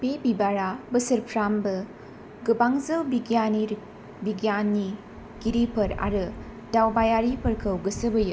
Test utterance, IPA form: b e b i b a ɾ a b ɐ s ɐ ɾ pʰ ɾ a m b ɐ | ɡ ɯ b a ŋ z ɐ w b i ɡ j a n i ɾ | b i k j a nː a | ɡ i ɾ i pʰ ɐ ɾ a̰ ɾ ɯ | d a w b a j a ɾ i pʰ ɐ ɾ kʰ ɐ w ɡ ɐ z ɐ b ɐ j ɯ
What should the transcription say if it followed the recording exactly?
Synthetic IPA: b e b i b a ɾ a b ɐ s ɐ ɾ pʰ ɾ a m b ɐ | ɡ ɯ b a ŋ z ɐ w b i ɡ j a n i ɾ | b i ɡ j a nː i | ɡ i ɾ i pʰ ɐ ɾ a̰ ɾ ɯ | d a w b a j a ɾ i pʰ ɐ ɾ kʰ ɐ w ɡ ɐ s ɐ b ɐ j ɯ